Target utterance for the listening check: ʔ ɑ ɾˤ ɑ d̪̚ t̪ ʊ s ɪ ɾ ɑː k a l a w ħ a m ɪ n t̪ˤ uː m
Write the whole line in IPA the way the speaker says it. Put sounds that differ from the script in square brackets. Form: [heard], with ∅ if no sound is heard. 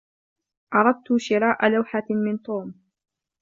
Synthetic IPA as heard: ʔ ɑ ɾˤ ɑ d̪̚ t̪ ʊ [ʃ] ɪ ɾ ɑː [ʔ] a l a w ħ a m ɪ n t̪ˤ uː m